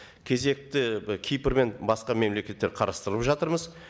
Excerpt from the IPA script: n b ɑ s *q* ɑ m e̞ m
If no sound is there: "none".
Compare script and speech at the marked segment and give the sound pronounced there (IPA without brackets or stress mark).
q